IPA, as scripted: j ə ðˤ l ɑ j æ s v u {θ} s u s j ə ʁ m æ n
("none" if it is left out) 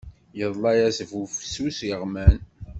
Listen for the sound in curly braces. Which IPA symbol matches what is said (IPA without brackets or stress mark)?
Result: f